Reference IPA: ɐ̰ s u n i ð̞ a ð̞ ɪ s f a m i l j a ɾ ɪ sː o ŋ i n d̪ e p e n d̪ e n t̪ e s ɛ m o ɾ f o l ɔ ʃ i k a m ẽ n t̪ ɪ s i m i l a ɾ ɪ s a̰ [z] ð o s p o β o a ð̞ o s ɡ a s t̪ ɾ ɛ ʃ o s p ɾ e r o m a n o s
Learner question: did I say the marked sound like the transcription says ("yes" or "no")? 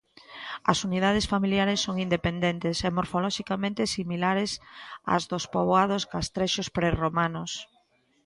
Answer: yes